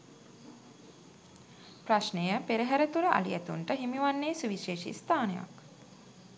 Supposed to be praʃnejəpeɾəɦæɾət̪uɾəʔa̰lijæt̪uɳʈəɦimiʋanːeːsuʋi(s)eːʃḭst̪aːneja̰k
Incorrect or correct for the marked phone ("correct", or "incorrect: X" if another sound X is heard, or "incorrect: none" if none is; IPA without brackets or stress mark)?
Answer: incorrect: ʃ